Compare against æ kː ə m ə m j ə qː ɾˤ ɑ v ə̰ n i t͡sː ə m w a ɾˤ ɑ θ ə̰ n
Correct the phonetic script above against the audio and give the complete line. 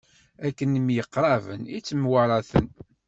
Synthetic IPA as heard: æ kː ə n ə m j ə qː ɾˤ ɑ v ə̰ n i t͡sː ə m w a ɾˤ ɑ θ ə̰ n

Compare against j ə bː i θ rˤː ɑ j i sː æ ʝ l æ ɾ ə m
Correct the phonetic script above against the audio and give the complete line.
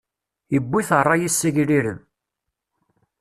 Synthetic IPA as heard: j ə bː i θ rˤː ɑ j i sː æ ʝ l i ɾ ə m

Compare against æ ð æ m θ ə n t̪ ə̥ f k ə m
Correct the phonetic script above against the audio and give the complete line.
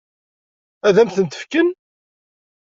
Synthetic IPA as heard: æ ð æ m θ ə n t̪ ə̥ f k ə n

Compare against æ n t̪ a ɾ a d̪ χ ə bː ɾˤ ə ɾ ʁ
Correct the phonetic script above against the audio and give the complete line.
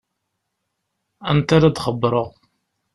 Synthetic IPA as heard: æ n t̪ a ɾ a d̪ χ ə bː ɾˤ ə ʁ

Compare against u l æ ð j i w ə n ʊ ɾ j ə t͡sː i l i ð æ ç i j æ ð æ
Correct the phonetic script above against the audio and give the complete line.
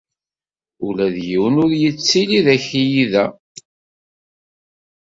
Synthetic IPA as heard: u l æ ð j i w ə n ʊ ɾ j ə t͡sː i l i ð æ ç i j i ð æ

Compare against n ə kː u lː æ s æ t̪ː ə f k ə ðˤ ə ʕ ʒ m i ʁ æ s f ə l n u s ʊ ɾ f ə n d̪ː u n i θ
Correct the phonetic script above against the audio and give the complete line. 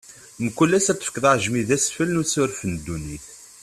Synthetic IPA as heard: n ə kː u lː æ s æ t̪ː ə f k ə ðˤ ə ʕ ʒ m i ð æ s f ə l n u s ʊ ɾ f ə n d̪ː u n i θ

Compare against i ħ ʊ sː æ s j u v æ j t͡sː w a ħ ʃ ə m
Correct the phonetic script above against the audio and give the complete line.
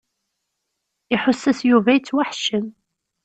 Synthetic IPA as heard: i ħ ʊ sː æ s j u v æ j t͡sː w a ħ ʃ ə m

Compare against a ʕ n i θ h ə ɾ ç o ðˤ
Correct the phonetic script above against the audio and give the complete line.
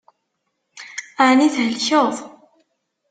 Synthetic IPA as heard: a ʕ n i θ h ə l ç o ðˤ

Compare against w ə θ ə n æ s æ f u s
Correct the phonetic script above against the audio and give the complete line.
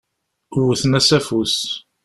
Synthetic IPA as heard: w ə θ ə n æ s æ f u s

